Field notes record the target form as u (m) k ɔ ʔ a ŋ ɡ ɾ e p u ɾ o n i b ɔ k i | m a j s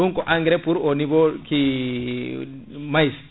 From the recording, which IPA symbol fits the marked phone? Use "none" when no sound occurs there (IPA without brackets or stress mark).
ŋ